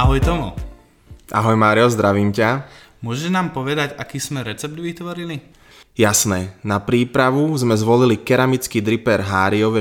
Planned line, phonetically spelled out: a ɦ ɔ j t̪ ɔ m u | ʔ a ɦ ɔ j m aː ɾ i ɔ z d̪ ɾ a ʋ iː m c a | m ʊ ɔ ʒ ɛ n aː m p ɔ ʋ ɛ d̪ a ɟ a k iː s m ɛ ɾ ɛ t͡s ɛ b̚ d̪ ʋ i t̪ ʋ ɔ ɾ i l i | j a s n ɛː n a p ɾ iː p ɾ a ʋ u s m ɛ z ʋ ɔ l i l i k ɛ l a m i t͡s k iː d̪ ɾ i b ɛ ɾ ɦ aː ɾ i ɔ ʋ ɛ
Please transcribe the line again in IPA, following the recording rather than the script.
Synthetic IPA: a ɦ ɔ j t̪ ɔ m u | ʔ a ɦ ɔ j m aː ɾ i ɔ z d̪ ɾ a ʋ iː m c a | m ʊ ɔ ʒ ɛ n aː m p ɔ ʋ ɛ d̪ a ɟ a k iː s m ɛ ɾ ɛ t͡s ɛ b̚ d̪ ʋ i t̪ ʋ ɔ ɾ i l i | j a s n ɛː n a p ɾ iː p ɾ a ʋ u z m ɛ z ʋ ɔ l i l i k ɛ ɾ a m i t͡s k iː d̪ ɾ i p ɛ ɾ ɦ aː ɾ i ɔ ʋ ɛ